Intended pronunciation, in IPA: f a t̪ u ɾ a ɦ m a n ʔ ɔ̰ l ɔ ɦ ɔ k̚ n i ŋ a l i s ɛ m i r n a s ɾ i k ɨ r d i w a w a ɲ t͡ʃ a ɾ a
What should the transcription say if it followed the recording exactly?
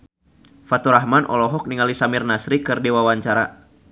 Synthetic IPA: f a t̪ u ɾ a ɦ m a n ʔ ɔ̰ l ɔ ɦ ɔ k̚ n i ŋ a l i s a m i r n a s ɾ i k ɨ r d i w a w a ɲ t͡ʃ a ɾ a

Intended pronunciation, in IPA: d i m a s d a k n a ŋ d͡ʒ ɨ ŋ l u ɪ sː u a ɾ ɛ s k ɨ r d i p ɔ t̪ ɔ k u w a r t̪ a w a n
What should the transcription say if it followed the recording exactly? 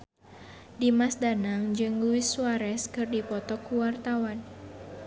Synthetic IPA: d i m a s d a n a ŋ d͡ʒ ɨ ŋ l u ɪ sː u a ɾ ɛ s k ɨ r d i p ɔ t̪ ɔ k u w a r t̪ a w a n

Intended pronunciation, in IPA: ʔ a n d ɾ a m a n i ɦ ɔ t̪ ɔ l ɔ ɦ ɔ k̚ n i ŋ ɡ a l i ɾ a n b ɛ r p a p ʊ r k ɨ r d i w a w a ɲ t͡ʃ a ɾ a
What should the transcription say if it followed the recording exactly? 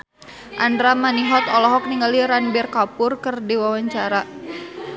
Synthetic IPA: ʔ a n d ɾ a m a n i ɦ ɔ t̪ ɔ l ɔ ɦ ɔ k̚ n i ŋ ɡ a l i ɾ a n b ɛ r k a p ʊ r k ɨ r d i w a w a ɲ t͡ʃ a ɾ a

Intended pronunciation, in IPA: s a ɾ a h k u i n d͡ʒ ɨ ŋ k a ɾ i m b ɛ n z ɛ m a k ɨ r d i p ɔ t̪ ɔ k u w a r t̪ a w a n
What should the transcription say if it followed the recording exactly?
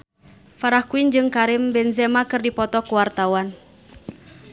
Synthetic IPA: f a ɾ a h k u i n d͡ʒ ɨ ŋ k a ɾ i m b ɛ n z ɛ m a k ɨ r d i p ɔ t̪ ɔ k u w a r t̪ a w a n

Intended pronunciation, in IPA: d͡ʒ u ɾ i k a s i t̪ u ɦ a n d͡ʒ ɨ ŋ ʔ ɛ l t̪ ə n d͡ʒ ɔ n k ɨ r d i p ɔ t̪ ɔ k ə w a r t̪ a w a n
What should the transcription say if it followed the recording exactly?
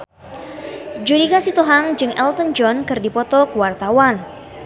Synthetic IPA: d͡ʒ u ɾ i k a s i t̪ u ɦ a ŋ d͡ʒ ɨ ŋ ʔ ɛ l t̪ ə n d͡ʒ ɔ n k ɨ r d i p ɔ t̪ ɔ k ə w a r t̪ a w a n

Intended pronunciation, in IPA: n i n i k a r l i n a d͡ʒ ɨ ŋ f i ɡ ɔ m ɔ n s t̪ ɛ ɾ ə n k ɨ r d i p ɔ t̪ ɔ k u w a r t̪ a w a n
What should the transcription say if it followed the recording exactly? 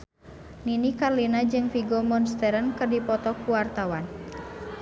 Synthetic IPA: n i n i k a r l i n a d͡ʒ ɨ ŋ f i ɡ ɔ m ɔ n s t̪ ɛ ɾ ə n k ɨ r d i p ɔ t̪ ɔ k u w a r t̪ a w a n

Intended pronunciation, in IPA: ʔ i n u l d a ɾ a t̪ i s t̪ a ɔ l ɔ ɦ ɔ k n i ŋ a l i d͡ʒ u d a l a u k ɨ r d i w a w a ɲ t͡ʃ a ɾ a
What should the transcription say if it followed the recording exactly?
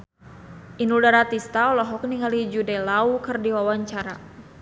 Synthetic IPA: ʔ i n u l d a ɾ a t̪ i s t̪ a ɔ l ɔ ɦ ɔ k n i ŋ a l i d͡ʒ u d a l a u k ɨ r d i w a w a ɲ t͡ʃ a ɾ a

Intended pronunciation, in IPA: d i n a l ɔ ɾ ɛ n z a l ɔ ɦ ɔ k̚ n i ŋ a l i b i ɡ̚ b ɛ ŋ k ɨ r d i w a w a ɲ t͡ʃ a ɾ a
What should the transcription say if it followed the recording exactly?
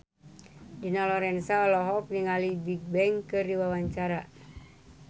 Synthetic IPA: d i n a l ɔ ɾ ɛ n s a l ɔ ɦ ɔ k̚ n i ŋ a l i b i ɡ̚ b ɛ ŋ k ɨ r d i w a w a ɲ t͡ʃ a ɾ a

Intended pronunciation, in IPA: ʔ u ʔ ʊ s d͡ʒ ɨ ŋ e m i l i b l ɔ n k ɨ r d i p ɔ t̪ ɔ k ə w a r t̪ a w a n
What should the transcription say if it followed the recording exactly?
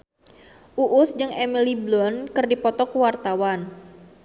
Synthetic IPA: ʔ u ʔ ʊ s d͡ʒ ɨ ŋ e m i l i b l ɔ n k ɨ r d i p ɔ t̪ ɔ k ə w a r t̪ a w a n

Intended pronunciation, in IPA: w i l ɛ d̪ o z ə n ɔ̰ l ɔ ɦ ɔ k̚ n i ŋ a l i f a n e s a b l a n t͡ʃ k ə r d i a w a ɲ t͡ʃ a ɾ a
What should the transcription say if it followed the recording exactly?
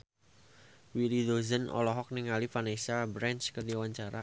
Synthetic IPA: w i l i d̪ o z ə n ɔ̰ l ɔ ɦ ɔ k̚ n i ŋ a l i f a n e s a b ɾ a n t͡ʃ k ə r d i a w a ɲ t͡ʃ a ɾ a

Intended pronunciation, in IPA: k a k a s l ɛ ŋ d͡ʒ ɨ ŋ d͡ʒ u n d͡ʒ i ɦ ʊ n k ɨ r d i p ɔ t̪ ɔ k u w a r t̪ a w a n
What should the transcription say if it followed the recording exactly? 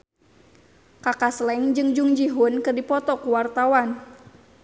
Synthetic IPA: k a k a s l ɛ ŋ d͡ʒ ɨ ŋ d͡ʒ u ŋ d͡ʒ i ɦ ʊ n k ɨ r d i p ɔ t̪ ɔ k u w a r t̪ a w a n

